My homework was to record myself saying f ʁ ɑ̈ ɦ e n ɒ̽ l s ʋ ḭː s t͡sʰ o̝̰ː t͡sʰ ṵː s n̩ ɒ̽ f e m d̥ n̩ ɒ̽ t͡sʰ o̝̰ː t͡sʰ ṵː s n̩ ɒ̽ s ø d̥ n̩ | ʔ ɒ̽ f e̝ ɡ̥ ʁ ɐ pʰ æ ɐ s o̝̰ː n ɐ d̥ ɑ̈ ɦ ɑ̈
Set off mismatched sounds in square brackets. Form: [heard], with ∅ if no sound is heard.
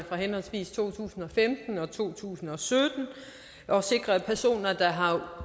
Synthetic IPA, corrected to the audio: f ʁ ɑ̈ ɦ e n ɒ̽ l s ʋ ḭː s t͡sʰ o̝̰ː t͡sʰ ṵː s n̩ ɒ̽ f e m d̥ n̩ ɒ̽ t͡sʰ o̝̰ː t͡sʰ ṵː s n̩ ɒ̽ s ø d̥ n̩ | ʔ ɒ̽ [s] e̝ ɡ̥ ʁ ɐ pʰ æ ɐ s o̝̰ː n ɐ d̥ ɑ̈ ɦ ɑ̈